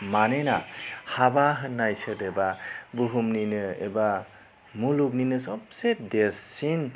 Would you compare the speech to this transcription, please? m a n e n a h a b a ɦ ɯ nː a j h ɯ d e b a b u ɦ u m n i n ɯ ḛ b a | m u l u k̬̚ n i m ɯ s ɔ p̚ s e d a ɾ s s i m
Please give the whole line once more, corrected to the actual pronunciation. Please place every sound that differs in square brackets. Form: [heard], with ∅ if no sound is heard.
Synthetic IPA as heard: m a n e n a h a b a ɦ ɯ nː a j [s] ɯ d e b a b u ɦ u m n i n ɯ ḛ b a | m u l u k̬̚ n i [n] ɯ s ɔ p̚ s e d [e] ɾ s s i [n]